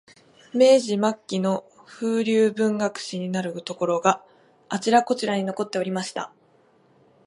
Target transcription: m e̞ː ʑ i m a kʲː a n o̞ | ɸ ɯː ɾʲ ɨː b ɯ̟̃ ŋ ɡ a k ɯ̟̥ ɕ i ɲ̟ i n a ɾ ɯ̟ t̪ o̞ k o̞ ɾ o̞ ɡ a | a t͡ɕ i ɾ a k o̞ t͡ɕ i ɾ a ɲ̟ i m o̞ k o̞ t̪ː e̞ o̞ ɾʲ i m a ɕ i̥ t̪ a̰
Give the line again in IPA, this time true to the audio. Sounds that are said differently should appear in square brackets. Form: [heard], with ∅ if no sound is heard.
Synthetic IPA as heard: m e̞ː ʑ i m a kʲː [i] n o̞ | ɸ ɯː ɾʲ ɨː b ɯ̟̃ ŋ ɡ a k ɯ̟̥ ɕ i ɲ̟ i n a ɾ ɯ̟ t̪ o̞ k o̞ ɾ o̞ ɡ a | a t͡ɕ i ɾ a k o̞ t͡ɕ i ɾ a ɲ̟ i [n] o̞ k o̞ t̪ː e̞ o̞ ɾʲ i m a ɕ i̥ t̪ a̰